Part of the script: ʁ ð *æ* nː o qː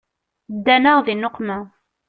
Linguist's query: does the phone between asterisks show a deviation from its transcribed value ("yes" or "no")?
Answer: yes